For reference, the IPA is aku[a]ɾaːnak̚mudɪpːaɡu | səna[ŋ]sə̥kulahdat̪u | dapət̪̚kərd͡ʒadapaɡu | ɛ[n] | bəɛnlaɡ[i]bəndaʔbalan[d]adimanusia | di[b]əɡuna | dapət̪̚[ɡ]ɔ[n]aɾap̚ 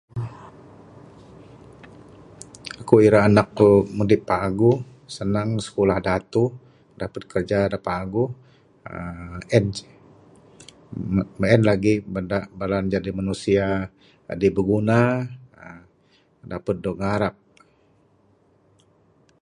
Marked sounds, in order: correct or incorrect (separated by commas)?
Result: incorrect, correct, correct, correct, incorrect, correct, incorrect, incorrect